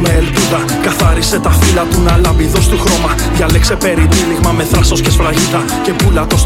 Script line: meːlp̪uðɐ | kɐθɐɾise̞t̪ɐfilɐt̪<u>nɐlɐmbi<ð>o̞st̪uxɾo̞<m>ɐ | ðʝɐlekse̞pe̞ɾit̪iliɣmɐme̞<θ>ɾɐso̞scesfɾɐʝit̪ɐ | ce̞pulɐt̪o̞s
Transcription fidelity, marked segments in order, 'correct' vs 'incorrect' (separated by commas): correct, correct, correct, correct